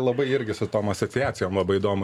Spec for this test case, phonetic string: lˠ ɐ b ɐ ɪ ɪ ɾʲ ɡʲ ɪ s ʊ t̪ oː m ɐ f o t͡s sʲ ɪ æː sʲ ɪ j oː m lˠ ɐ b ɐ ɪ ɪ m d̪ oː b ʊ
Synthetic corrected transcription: lˠ ɐ b ɐ ɪ ɪ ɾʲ ɡʲ ɪ s ʊ t̪ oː m ɐ s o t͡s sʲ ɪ æː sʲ ɪ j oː m lˠ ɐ b ɐ ɪ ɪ d̪ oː m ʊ